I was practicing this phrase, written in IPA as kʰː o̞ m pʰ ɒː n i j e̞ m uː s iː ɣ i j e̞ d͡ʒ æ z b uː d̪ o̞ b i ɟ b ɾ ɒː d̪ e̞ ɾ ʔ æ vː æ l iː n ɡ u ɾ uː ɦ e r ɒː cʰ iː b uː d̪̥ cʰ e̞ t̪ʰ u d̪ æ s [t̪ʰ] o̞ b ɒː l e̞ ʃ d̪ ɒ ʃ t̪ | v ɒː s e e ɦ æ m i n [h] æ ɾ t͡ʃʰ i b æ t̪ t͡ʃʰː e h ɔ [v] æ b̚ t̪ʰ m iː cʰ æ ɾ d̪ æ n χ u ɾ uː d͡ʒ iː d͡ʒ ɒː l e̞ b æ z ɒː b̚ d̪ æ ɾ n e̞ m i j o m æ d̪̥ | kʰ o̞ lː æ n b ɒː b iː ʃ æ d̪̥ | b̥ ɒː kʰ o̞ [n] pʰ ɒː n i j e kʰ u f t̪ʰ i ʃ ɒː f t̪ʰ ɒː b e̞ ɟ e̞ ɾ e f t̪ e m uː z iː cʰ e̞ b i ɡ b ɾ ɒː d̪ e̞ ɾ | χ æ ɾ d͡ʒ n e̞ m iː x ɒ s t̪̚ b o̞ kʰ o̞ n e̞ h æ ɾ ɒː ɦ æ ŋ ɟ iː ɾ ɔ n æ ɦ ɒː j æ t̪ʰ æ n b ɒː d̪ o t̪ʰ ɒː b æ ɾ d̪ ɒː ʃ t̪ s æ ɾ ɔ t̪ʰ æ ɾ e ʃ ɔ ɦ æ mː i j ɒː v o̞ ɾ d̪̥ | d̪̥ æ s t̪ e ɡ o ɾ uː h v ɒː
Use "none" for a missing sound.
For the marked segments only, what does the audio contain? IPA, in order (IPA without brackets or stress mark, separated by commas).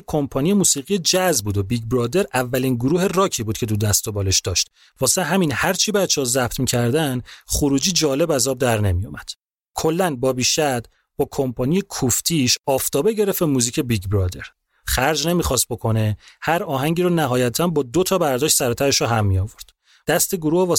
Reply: t̪, h, z, m